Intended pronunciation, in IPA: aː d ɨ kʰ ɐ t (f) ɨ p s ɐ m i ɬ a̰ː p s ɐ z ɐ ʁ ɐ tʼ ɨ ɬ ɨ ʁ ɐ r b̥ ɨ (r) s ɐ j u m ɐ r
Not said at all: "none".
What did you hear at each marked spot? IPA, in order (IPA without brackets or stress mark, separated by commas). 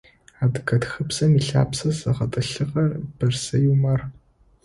x, r